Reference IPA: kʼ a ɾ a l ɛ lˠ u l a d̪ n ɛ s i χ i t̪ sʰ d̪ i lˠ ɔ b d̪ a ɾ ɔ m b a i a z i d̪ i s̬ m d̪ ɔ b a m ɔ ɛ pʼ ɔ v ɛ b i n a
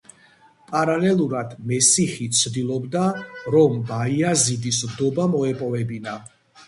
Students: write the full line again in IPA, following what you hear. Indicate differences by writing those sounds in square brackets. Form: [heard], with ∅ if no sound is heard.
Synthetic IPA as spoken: [pʼ] a ɾ a l ɛ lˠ u [ɾ] a d̪ [m] ɛ s i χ i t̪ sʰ d̪ i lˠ ɔ b d̪ a ɾ ɔ m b a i a z i d̪ i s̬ m d̪ ɔ b a m ɔ ɛ pʼ ɔ v ɛ b i n a